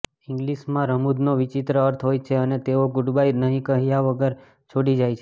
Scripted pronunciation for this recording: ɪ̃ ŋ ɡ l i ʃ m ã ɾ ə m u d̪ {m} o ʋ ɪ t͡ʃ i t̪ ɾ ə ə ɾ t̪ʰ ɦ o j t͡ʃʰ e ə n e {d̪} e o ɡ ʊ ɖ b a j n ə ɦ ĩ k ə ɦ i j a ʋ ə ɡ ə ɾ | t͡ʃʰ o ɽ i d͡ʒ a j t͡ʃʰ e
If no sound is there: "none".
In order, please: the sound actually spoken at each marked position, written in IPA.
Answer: n, t̪

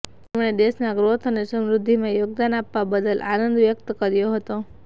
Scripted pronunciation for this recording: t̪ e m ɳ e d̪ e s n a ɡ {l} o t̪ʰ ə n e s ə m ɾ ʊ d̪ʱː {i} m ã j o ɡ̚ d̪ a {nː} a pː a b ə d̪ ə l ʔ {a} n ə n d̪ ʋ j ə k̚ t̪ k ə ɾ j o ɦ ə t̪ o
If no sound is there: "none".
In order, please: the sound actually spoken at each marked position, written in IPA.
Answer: ɾ, i, n, a

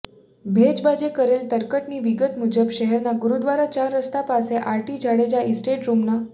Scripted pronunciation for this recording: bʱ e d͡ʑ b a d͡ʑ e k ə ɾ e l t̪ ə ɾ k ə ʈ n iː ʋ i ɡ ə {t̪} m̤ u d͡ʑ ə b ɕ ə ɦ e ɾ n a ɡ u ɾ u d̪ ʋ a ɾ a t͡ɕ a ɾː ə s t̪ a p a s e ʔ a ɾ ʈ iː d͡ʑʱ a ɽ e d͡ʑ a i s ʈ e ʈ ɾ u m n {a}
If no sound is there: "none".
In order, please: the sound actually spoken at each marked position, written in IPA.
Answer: t̪, a

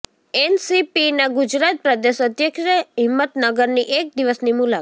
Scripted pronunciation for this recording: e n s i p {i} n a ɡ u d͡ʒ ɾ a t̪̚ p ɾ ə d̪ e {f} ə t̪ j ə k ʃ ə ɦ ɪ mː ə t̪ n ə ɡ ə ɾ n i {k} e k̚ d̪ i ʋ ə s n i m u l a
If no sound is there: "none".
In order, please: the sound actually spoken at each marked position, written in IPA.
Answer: i, ʃ, ʔ

